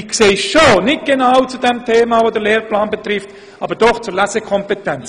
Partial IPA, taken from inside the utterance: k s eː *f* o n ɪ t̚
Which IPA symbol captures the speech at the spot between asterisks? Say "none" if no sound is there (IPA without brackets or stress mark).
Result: ʃ